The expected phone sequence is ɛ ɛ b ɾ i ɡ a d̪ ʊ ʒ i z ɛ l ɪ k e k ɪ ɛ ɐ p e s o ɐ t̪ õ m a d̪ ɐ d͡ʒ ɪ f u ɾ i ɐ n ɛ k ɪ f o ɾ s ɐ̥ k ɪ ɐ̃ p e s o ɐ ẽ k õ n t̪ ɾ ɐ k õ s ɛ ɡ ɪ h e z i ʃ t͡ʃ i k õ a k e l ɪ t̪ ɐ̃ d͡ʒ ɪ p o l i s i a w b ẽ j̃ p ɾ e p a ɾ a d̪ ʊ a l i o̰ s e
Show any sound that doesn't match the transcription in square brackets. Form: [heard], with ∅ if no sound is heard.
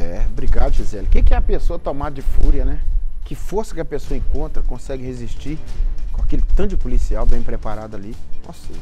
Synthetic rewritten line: ɛ ɛ b ɾ i ɡ a d̪ ʊ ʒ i z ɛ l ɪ k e k ɪ ɛ ɐ p e s o ɐ t̪ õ m a d̪ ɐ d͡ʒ ɪ f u ɾ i ɐ n ɛ k ɪ f o ɾ s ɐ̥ k ɪ [ɐ] p e s o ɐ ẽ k õ n t̪ ɾ ɐ k õ s ɛ ɡ ɪ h e z i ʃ t͡ʃ i k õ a k e l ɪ t̪ ɐ̃ d͡ʒ ɪ p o l i s i a w b ẽ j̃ p ɾ e p a ɾ a d̪ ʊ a l i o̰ s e